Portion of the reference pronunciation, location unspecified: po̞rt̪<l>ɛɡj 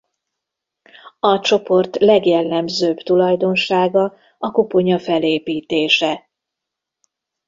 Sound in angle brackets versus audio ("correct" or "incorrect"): correct